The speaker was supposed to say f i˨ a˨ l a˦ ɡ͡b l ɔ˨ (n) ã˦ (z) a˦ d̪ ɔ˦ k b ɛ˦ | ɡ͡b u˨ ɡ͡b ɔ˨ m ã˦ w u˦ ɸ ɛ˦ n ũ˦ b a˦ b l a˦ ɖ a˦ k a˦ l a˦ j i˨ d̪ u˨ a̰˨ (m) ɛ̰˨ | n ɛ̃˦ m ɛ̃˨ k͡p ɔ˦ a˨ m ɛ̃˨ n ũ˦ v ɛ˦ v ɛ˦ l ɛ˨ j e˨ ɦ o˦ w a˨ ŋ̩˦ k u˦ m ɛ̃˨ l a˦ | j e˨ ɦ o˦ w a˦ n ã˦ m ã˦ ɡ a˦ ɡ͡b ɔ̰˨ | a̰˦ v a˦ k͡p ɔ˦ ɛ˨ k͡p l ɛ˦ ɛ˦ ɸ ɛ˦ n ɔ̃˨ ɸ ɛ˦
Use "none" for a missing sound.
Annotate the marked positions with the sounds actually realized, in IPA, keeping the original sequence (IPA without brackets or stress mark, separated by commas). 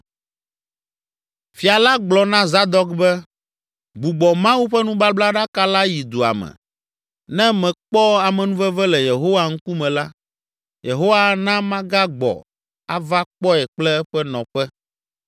n, z, m